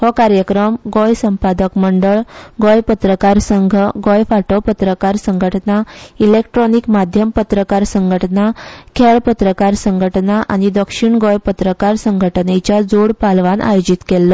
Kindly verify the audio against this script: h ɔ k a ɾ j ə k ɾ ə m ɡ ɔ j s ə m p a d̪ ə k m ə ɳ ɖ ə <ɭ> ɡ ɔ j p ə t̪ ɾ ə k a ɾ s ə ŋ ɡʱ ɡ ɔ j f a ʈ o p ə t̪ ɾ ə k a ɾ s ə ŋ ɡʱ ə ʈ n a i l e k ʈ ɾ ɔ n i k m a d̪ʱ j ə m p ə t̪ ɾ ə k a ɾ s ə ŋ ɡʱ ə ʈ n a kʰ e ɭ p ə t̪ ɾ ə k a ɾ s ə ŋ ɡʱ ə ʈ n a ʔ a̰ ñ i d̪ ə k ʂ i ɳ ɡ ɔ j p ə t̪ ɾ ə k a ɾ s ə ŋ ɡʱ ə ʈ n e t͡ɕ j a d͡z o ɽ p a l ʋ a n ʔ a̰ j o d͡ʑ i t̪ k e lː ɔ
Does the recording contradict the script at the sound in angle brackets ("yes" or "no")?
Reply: no